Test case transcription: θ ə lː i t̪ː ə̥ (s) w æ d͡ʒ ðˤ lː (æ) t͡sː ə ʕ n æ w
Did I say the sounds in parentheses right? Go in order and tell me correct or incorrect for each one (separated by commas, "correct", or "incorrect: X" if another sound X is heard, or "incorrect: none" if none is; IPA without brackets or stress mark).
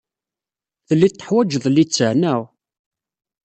incorrect: ħ, incorrect: i